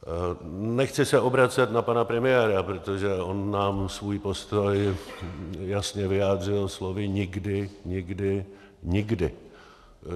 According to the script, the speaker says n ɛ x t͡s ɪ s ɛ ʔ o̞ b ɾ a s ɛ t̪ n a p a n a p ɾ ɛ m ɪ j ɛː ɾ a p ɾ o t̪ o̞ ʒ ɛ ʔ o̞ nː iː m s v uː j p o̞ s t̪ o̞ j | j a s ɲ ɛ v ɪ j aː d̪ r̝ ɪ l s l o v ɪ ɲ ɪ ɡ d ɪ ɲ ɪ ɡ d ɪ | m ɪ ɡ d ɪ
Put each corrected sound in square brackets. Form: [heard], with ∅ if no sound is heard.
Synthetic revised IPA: n ɛ x t͡s ɪ s ɛ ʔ o̞ b ɾ a [t͡s] ɛ t̪ n a p a n a p ɾ ɛ m ɪ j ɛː ɾ a p ɾ o t̪ o̞ ʒ ɛ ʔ o̞ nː [aː] m s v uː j p o̞ s t̪ o̞ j | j a s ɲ ɛ v ɪ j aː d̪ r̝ ɪ l s l o v ɪ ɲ ɪ ɡ d ɪ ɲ ɪ ɡ d ɪ | [ɲ] ɪ ɡ d ɪ

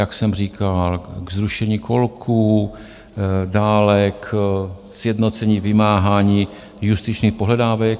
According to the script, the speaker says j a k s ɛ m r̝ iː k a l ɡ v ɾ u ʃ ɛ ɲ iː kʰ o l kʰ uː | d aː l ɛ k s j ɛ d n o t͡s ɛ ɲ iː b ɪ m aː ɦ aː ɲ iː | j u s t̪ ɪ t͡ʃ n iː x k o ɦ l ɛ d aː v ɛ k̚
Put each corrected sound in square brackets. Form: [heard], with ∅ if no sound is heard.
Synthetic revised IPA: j a k s ɛ m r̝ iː k a l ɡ [z] ɾ u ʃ ɛ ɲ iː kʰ o l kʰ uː | d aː l ɛ k s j ɛ d n o t͡s ɛ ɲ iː [v] ɪ m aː ɦ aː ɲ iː | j u s t̪ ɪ t͡ʃ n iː x [p] o ɦ l ɛ d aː v ɛ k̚

